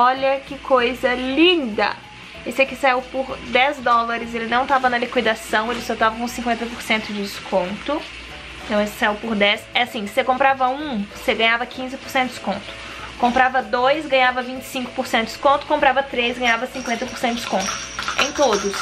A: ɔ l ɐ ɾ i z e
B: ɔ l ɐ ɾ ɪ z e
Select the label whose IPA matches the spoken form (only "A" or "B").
B